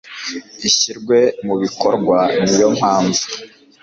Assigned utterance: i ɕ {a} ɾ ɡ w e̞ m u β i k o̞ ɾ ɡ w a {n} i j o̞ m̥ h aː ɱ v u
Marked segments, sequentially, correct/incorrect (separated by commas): incorrect, correct